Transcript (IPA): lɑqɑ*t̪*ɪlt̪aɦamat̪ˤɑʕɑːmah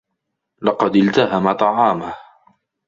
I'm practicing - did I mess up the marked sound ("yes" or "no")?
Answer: yes